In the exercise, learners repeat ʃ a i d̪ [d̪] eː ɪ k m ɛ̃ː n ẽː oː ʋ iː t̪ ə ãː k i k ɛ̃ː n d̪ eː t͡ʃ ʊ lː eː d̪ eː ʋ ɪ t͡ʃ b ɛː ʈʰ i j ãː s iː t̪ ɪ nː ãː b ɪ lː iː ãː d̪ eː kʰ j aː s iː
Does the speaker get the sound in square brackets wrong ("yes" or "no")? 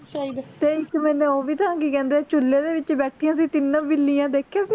yes